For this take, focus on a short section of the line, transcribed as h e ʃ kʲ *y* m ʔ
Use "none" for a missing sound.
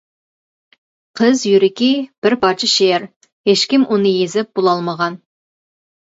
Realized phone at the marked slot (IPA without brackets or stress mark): i